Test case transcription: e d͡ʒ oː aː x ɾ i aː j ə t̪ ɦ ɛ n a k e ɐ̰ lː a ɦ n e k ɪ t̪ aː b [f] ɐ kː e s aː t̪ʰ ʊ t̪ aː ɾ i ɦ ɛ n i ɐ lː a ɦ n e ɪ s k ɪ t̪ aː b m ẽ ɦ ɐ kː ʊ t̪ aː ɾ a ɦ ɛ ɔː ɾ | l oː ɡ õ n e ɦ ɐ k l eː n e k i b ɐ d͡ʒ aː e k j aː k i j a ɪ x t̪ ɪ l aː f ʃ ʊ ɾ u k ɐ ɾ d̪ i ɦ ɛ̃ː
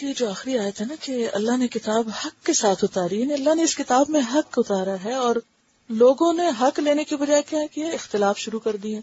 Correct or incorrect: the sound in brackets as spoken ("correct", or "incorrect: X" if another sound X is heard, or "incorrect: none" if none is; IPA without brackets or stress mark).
incorrect: h